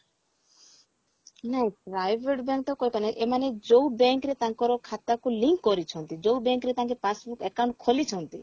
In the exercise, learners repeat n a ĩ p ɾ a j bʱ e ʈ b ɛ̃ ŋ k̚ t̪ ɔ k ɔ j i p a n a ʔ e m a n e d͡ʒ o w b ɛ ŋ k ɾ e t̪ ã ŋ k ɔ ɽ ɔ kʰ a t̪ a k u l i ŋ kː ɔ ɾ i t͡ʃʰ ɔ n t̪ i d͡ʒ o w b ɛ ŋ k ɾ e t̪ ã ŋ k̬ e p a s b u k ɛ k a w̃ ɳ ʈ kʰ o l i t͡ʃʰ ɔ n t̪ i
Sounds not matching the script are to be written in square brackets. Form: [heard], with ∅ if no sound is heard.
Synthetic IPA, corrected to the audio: n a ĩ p ɾ a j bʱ e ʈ b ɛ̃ ŋ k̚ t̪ ɔ k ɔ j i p a n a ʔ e m a n e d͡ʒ o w b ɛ ŋ k ɾ e t̪ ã ŋ k ɔ [ɾ] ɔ kʰ a t̪ a k u l i ŋ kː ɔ ɾ i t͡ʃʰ ɔ n t̪ i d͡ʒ o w b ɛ ŋ k ɾ e t̪ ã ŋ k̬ e p a s b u k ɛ k a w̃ ɳ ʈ kʰ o l i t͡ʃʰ ɔ n t̪ i

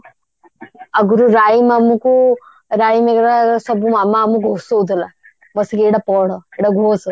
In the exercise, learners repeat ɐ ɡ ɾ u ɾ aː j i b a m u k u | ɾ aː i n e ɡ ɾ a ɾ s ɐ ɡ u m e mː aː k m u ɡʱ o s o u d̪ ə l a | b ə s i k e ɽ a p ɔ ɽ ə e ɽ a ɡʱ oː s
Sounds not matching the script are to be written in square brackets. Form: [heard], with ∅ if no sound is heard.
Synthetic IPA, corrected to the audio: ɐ ɡ ɾ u ɾ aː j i [m] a m u k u | ɾ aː i [m] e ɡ ɾ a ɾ s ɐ [b] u m [a] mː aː [∅] m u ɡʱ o s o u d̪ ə l a | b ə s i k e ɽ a p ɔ ɽ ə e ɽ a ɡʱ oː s

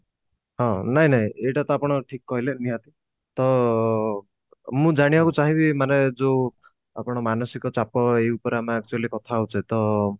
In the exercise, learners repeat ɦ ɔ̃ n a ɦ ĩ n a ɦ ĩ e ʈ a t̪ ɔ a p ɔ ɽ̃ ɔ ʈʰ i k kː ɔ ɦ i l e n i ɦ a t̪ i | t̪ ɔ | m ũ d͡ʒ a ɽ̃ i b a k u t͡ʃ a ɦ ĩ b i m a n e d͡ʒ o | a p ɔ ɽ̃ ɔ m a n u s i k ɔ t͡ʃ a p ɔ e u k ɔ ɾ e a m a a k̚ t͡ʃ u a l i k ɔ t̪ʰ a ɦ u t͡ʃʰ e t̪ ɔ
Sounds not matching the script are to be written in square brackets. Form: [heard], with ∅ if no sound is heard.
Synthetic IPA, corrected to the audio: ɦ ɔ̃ n a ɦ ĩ n a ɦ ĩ e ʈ a t̪ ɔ a p ɔ ɽ̃ ɔ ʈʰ i k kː ɔ ɦ i l e n i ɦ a t̪ i | t̪ ɔ | m ũ d͡ʒ a ɽ̃ i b a k u t͡ʃ a ɦ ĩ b i m a n e d͡ʒ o | a p ɔ ɽ̃ ɔ m a n [ɔ] s i k ɔ t͡ʃ a p ɔ e u [p] ɔ ɾ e a m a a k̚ t͡ʃ u a l i k ɔ t̪ʰ a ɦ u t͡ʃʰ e t̪ ɔ

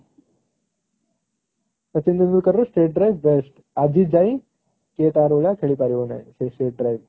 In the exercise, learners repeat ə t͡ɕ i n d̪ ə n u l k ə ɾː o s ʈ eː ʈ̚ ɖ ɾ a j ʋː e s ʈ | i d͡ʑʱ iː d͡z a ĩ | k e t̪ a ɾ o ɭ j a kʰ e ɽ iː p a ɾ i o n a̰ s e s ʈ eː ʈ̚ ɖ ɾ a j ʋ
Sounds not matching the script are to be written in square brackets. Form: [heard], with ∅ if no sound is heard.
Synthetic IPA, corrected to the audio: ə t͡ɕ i n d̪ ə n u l k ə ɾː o s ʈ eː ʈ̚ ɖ ɾ a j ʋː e s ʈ | [a] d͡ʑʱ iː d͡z a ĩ | k e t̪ a ɾ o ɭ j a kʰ e [ɭ] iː p a ɾ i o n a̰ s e s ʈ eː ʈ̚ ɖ ɾ a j ʋ

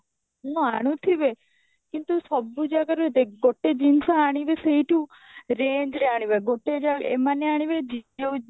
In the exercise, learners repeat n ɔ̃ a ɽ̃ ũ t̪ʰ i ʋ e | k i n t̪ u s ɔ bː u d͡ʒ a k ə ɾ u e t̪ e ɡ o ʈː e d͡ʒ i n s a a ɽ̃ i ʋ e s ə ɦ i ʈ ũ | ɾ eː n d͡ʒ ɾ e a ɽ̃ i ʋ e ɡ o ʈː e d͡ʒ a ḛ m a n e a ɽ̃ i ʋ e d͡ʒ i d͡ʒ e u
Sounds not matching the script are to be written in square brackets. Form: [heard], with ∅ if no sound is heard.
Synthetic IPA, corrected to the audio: n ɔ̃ a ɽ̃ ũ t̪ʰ i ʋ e | k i n t̪ u s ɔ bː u d͡ʒ a k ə ɾ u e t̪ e ɡ o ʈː e d͡ʒ i n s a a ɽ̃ i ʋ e s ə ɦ i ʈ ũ | ɾ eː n d͡ʒ ɾ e a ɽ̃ i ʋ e ɡ o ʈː e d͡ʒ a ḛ m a n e a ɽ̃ i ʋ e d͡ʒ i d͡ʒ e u

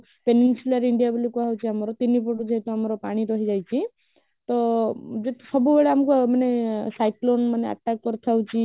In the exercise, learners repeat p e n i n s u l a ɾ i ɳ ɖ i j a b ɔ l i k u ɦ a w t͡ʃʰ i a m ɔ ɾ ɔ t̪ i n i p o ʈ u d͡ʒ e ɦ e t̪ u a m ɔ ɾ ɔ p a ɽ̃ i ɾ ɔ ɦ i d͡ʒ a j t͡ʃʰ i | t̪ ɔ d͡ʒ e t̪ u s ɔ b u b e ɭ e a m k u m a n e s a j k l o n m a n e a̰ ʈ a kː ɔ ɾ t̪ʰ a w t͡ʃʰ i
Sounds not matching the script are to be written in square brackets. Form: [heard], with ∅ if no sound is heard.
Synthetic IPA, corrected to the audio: p e n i n s u l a ɾ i ɳ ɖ i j a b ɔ l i k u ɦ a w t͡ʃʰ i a m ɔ ɾ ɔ t̪ i n i p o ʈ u d͡ʒ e ɦ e t̪ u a m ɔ ɾ ɔ p a ɽ̃ i ɾ ɔ ɦ i d͡ʒ a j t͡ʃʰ i | t̪ ɔ d͡ʒ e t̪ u s ɔ b u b e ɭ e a m k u m a n e s a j k l o n m a n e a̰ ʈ a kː ɔ ɾ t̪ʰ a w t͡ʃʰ i

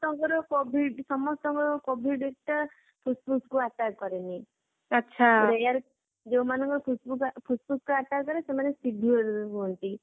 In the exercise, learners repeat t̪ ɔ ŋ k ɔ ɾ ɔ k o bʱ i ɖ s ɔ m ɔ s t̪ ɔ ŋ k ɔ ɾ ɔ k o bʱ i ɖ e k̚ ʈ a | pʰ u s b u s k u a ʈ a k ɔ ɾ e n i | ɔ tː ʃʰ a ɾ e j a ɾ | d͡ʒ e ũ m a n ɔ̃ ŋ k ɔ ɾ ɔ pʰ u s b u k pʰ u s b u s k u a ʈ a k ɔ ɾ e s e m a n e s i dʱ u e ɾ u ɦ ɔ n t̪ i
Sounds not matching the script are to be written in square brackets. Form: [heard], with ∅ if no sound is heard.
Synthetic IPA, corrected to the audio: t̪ ɔ ŋ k ɔ ɾ ɔ k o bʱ i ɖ s ɔ m ɔ s t̪ ɔ ŋ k ɔ ɾ ɔ k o bʱ i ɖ e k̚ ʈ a | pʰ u s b u s k u a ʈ a k ɔ ɾ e n i | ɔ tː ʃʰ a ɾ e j a ɾ | d͡ʒ e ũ m a n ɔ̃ ŋ k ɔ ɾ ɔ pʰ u s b u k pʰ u s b u s k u a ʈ a k ɔ ɾ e s e m a n e s i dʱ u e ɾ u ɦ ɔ n t̪ i

